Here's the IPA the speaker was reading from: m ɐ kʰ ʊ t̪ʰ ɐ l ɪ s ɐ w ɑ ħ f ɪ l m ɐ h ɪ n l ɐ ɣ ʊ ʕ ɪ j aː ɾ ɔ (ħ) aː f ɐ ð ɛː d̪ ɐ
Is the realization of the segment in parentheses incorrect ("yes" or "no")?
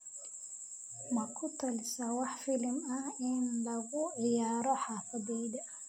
no